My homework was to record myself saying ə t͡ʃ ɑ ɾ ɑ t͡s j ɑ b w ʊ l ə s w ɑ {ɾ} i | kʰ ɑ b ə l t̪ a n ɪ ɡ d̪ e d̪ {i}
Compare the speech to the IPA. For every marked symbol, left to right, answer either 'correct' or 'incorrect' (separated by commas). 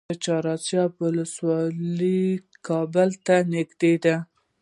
incorrect, incorrect